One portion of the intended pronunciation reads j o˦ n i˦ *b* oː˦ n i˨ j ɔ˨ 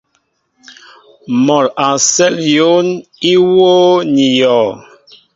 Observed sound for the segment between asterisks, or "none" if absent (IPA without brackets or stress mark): w